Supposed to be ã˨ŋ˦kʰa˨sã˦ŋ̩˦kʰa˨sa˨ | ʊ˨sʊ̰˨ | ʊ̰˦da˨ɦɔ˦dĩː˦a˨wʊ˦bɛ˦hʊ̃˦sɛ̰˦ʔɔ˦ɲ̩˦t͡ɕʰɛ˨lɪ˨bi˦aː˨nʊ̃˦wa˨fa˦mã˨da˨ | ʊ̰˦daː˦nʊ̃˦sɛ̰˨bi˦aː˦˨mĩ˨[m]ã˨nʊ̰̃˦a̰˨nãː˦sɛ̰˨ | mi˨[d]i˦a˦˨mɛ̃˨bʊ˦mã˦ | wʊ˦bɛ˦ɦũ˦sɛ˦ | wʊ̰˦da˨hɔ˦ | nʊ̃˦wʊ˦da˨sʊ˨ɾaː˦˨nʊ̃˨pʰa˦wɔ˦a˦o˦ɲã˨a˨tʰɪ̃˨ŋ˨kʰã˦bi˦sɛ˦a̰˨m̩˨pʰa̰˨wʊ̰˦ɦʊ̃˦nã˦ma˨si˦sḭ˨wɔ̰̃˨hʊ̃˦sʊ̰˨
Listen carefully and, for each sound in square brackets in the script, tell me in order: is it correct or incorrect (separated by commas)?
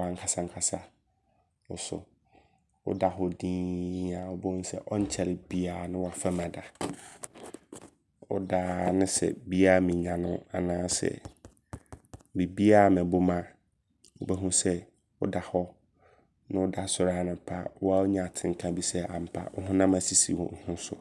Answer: incorrect, incorrect